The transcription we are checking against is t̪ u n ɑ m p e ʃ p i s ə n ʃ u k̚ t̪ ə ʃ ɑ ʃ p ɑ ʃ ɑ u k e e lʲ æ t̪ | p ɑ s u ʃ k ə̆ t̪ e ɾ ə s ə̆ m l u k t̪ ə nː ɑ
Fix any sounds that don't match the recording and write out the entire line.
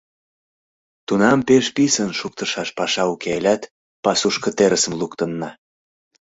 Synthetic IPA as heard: t̪ u n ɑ m p e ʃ p i s ə n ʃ u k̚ t̪ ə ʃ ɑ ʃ p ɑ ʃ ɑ u k e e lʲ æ t̪ | p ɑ s u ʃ k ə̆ t̪ e ɾ ə s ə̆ m l u k t̪ ə nː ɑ